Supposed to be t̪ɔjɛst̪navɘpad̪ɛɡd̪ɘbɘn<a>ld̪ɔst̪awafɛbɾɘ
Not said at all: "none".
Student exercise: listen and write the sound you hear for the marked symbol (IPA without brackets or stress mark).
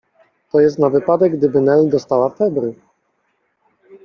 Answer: ɛ